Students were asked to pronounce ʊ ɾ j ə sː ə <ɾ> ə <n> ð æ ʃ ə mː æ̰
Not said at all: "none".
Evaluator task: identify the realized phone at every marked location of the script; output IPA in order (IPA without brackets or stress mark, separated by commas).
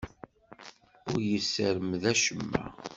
ɾ, m